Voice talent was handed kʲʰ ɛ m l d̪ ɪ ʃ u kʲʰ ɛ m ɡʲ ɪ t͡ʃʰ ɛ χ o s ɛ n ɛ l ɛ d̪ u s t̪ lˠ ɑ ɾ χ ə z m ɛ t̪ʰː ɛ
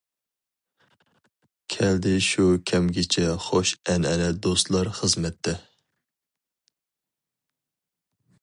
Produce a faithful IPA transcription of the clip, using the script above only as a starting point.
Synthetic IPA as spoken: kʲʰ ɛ l d̪ ɪ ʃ u kʲʰ ɛ m ɡʲ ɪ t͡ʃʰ ɛ χ o ʃ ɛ n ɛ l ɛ d̪ o s t̪ lˠ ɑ ɾ χ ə z m ɛ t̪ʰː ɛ